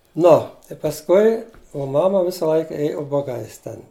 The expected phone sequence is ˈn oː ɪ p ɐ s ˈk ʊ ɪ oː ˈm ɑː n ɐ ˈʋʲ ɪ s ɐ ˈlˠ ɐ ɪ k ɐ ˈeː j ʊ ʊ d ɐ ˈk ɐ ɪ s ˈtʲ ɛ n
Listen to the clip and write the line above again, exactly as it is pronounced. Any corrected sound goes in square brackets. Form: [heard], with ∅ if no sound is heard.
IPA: ˈn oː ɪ p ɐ s ˈk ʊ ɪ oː ˈm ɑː [m] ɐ ˈʋʲ ɪ s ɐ ˈlˠ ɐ ɪ k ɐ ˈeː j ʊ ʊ [b] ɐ [ˈɡ] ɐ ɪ s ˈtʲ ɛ n